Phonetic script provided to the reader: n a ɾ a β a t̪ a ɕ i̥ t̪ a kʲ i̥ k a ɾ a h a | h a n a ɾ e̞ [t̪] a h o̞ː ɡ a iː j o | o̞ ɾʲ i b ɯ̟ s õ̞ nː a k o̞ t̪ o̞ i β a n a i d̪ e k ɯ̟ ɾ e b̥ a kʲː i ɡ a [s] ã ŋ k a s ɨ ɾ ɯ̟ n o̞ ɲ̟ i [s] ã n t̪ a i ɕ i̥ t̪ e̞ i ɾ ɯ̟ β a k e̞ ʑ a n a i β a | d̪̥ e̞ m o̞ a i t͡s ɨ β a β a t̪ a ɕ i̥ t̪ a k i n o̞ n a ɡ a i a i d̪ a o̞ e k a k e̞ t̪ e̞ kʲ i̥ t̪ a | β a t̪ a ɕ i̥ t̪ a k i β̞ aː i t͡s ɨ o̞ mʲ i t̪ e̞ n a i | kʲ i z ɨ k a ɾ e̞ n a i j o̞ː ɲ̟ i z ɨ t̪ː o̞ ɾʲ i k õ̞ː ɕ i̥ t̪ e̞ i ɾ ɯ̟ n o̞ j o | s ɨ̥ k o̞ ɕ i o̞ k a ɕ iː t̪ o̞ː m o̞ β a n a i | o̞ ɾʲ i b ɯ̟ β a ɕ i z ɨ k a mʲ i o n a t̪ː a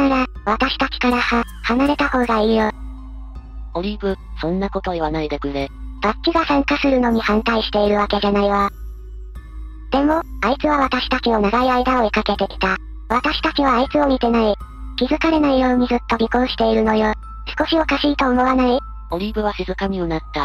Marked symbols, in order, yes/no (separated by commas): yes, yes, no